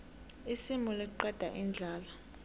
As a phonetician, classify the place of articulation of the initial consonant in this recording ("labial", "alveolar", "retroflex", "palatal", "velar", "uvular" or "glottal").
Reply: alveolar